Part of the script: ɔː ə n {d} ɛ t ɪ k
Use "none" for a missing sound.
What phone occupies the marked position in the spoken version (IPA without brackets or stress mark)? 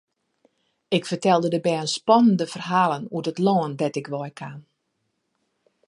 d